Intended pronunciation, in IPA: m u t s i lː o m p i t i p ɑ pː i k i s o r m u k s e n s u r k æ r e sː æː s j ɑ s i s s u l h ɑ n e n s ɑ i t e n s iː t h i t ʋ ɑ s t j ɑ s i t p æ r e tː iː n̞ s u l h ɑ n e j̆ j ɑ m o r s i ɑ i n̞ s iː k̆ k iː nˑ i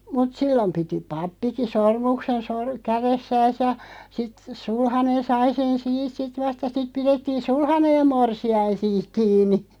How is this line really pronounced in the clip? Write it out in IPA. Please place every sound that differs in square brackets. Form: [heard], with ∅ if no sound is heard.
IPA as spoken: m u t s i lː o m p i t i p ɑ pː i k i s o r m u k s e n s [o] r k æ r e sː æː s j ɑ s i [t] s u l h ɑ n e n s ɑ i [s] e n s iː t [s] i t ʋ ɑ s t j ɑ s i t p [i] r e tː iː n̞ s u l h ɑ n e j̆ j ɑ m o r s i ɑ i n̞ s iː k̆ k iː nˑ i